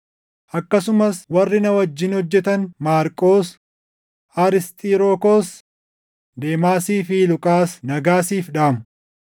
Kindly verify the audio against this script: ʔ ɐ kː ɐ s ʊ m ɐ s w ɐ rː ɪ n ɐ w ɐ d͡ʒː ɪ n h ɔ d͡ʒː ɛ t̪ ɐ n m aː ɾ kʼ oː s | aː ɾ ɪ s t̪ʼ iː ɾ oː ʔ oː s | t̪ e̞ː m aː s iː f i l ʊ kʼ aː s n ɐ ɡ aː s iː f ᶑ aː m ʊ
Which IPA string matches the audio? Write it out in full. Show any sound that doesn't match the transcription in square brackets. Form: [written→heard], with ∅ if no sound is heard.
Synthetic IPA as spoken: ʔ ɐ kː ɐ s ʊ m ɐ s w ɐ rː ɪ n ɐ w ɐ d͡ʒː ɪ n h ɔ d͡ʒː ɛ t̪ ɐ n m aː ɾ kʼ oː s | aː ɾ ɪ s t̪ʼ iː ɾ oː [ʔ→k] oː s | [t̪→d̪] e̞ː m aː s iː f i l ʊ kʼ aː s n ɐ ɡ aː s iː f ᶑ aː m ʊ